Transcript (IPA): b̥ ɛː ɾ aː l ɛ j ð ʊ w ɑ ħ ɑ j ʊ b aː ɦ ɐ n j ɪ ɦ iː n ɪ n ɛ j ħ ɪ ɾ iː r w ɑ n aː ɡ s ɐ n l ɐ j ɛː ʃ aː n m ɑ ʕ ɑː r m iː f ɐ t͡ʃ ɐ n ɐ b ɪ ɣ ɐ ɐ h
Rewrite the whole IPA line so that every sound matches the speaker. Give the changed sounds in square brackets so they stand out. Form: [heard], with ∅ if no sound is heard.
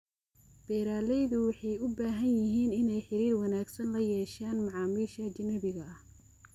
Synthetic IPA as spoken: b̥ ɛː ɾ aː l ɛ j ð ʊ w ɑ ħ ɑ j ʊ b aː ɦ ɐ n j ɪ ɦ iː n ɪ n ɛ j ħ ɪ ɾ iː r w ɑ n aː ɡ s ɐ n l ɐ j ɛː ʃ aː n m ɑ ʕ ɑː [∅] m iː [ʃ] ɐ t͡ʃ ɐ n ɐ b ɪ ɣ ɐ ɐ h